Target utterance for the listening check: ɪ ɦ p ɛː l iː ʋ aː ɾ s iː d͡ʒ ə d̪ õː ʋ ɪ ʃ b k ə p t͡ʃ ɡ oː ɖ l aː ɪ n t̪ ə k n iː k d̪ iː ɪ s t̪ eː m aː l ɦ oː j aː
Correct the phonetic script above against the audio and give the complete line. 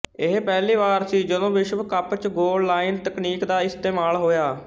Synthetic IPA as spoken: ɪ ɦ p ɛː l iː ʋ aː ɾ s iː d͡ʒ ə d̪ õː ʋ ɪ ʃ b k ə p t͡ʃ ɡ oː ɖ l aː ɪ n t̪ ə k n iː k d̪ aː ɪ s t̪ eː m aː l ɦ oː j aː